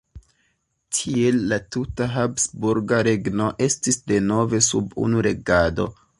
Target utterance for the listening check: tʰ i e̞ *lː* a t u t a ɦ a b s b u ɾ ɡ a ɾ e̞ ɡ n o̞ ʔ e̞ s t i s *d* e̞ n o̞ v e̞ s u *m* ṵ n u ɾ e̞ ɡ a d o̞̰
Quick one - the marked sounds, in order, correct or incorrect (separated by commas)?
correct, correct, incorrect